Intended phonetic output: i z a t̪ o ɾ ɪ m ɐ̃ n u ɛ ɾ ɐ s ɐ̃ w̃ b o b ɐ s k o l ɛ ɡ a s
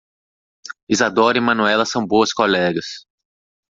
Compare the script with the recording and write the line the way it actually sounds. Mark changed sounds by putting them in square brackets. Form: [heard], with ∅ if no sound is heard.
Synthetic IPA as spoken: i z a [d̪] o ɾ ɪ m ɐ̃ n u ɛ [l] ɐ s ɐ̃ w̃ b o [∅] ɐ s k o l ɛ ɡ [ɐ] s